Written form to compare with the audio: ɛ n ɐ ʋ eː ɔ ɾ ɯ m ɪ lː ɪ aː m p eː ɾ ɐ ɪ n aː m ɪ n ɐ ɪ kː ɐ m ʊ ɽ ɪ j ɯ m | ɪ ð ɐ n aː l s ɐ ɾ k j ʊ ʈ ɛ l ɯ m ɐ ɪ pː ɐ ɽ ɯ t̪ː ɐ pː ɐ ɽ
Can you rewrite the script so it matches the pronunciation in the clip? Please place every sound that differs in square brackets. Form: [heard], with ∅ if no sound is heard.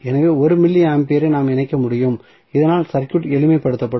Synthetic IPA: ɛ n ɐ ʋ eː ɔ ɾ ɯ m ɪ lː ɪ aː m p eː ɾ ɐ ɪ n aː m ɪ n ɐ ɪ kː ɐ m ʊ ɽ ɪ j ɯ m | ɪ ð ɐ n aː l s ɐ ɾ k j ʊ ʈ ɛ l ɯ m ɐ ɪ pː ɐ ɽ ɯ t̪ː ɐ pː ɐ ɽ